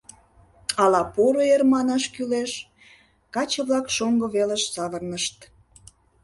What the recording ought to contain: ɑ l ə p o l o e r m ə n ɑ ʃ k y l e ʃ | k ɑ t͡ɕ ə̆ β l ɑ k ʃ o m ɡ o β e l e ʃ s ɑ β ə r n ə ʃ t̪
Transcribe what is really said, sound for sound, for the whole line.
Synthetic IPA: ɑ l ɑ p o ɾ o e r m ɑ n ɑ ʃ k y l e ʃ | k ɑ t͡ɕ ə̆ β l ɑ k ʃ o ŋ ɡ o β e l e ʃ s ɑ β ə r n ə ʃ t̪